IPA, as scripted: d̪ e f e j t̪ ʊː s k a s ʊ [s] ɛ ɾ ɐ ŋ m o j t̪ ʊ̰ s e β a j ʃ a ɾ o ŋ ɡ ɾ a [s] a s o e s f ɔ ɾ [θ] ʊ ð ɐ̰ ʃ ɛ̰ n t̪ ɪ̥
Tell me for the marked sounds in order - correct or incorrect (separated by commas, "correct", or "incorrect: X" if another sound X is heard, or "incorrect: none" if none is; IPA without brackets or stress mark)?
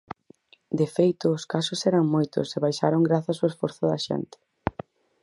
correct, incorrect: θ, correct